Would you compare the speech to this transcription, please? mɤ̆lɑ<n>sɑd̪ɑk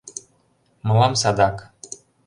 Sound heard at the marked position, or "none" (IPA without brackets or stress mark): m